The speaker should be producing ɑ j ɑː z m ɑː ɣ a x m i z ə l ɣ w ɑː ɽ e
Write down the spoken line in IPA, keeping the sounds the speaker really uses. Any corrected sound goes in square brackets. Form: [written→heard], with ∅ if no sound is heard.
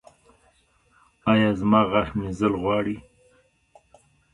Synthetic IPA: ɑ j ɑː z m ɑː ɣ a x m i z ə l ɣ w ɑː ɽ [e→i]